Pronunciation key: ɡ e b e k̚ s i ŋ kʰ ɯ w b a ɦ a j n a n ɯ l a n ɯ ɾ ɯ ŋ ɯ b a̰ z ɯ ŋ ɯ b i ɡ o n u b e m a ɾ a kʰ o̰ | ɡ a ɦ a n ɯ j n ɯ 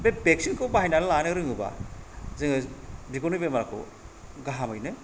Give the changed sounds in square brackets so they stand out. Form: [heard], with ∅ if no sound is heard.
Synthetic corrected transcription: [b] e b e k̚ s i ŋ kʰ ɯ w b a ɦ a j n a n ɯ l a n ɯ ɾ ɯ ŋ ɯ b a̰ z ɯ ŋ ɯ b i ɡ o n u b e m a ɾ a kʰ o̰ | ɡ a ɦ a [m] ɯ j n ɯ